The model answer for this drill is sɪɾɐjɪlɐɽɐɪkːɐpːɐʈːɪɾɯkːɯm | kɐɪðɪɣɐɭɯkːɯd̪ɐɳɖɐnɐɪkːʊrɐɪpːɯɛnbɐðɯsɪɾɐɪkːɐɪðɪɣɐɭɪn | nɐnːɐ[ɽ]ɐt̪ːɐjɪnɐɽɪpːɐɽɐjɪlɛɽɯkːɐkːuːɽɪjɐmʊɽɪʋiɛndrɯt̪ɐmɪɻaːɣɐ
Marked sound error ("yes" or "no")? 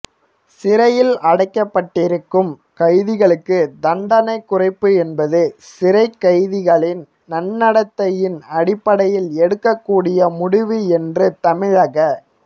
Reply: no